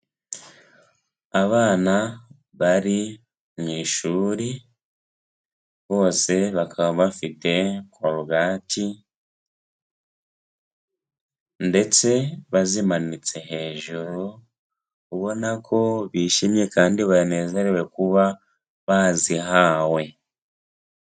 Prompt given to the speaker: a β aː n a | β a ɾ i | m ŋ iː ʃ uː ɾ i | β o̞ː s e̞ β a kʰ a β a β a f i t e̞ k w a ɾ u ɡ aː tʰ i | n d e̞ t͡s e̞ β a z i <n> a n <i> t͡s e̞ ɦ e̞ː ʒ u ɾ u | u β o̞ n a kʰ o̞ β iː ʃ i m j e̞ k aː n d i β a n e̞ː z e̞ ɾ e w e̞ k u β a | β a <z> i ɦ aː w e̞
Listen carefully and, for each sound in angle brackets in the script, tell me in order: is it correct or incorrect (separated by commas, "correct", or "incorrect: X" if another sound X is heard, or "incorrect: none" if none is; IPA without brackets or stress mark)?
incorrect: m, correct, correct